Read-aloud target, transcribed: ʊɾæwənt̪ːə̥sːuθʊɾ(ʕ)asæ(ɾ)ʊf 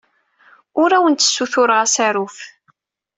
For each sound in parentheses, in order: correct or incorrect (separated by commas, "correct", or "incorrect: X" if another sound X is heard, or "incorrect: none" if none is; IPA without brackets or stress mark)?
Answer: incorrect: ʁ, correct